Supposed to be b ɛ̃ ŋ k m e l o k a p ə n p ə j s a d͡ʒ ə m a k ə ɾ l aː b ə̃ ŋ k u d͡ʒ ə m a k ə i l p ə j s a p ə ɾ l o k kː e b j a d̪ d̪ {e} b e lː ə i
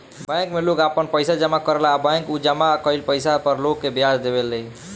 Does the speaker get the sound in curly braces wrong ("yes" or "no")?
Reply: no